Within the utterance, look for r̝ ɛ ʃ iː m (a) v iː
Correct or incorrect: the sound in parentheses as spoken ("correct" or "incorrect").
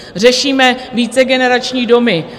incorrect